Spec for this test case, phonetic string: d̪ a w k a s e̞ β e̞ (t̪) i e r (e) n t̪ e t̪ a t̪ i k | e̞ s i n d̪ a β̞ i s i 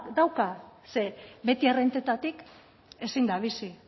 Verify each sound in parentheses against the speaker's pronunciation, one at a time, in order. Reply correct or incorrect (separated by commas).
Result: correct, correct